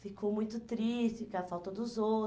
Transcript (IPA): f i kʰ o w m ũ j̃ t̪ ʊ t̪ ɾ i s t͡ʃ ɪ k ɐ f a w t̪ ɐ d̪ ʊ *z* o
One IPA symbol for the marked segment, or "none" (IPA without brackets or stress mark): z